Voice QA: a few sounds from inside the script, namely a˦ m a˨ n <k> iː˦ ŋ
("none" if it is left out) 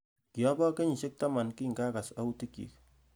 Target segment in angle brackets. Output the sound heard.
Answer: k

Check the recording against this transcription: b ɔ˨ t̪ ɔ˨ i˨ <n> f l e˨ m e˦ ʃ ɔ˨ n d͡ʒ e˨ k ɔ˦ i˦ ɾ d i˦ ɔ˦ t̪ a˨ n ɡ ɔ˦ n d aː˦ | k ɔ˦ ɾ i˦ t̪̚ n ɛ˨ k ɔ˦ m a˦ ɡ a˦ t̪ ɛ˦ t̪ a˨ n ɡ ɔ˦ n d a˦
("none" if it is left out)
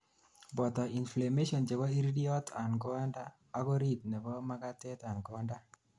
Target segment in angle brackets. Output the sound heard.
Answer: n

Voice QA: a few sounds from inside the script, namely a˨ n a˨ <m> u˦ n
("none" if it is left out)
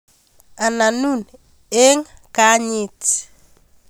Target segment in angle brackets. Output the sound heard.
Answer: n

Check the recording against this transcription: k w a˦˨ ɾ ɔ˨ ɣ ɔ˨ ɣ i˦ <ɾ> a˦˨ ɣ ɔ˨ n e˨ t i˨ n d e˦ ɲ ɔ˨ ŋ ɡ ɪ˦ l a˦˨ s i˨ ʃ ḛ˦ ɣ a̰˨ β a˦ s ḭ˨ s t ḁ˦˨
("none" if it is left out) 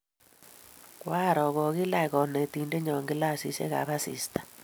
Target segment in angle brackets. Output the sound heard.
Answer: l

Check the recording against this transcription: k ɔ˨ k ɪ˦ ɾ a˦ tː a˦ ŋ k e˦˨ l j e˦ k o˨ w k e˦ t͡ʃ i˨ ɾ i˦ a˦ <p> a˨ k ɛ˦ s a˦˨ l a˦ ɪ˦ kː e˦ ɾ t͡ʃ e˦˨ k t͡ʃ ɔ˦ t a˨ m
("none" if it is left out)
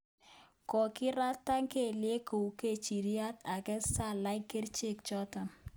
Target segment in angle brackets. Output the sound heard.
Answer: t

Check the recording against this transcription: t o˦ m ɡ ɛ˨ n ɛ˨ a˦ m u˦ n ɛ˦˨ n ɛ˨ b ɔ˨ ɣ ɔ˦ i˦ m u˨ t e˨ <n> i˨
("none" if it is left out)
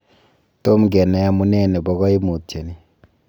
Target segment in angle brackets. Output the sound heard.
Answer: n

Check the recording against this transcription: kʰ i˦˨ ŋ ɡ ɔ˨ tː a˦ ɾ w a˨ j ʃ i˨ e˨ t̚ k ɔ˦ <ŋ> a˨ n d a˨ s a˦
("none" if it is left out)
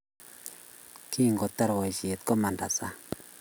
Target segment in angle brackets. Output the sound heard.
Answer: m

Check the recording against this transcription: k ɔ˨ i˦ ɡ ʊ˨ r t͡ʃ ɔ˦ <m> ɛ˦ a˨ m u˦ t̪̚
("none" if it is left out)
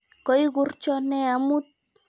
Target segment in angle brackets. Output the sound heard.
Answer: n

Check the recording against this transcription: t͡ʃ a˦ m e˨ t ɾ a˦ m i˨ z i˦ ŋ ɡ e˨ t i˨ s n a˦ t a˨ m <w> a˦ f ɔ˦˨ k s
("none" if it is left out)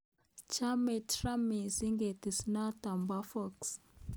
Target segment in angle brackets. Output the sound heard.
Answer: b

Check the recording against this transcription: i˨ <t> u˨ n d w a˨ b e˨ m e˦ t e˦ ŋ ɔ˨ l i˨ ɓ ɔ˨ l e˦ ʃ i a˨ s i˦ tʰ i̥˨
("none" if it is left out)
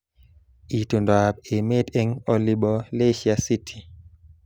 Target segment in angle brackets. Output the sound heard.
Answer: t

